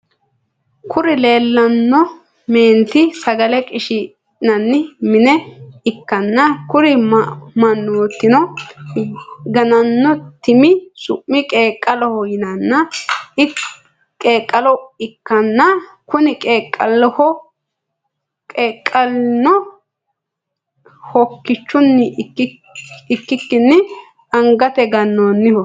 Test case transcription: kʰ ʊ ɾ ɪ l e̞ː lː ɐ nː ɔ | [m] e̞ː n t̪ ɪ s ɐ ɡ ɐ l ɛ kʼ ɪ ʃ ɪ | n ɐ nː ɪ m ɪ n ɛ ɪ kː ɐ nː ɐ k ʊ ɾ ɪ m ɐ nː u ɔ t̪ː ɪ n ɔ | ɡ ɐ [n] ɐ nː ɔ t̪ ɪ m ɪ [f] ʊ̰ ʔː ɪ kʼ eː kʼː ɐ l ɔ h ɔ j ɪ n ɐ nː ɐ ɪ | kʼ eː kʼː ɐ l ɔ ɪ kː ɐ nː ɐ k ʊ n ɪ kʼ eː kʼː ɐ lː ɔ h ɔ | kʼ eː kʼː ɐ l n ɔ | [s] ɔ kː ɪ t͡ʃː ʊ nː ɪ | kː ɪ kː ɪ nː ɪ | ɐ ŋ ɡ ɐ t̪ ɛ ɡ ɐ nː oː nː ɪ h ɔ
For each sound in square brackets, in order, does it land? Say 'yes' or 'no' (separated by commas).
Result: yes, yes, no, no